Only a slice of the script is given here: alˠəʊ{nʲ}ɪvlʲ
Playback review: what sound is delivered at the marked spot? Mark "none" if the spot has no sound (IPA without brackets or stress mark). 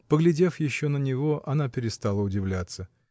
dʲ